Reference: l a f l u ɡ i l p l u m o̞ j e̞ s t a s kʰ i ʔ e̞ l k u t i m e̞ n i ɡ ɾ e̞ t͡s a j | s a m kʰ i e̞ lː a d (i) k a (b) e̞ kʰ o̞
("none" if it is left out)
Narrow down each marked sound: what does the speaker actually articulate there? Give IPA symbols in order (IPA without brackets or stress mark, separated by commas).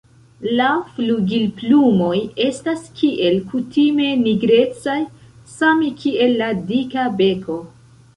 i, b